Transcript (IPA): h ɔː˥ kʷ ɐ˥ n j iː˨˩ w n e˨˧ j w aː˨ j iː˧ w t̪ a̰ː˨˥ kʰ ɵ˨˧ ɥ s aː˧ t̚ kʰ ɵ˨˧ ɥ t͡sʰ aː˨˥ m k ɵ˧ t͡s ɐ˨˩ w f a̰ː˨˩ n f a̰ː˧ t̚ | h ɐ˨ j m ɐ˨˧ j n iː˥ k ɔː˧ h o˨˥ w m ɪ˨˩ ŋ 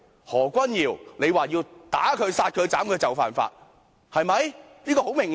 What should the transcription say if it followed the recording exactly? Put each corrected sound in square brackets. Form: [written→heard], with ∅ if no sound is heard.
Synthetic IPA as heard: h [ɔː˥→ɔː˨˩] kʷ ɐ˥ n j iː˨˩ w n e˨˧ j w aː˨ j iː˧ w t̪ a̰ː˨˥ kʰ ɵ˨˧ ɥ s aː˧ t̚ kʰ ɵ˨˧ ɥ [t͡sʰ→t͡s] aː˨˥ m k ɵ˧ t͡s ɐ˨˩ w f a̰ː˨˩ n f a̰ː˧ t̚ | h ɐ˨ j m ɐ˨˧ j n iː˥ k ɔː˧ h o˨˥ w m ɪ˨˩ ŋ